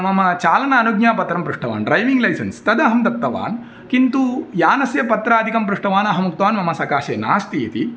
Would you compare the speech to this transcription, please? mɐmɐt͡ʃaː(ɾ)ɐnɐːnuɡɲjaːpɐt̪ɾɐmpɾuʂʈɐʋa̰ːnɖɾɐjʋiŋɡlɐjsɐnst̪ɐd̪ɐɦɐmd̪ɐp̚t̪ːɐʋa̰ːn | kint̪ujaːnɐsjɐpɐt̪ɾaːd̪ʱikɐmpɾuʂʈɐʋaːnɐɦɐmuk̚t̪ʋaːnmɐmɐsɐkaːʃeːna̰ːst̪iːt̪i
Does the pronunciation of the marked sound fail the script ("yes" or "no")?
yes